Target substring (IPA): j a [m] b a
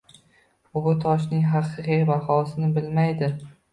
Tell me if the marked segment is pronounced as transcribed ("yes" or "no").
no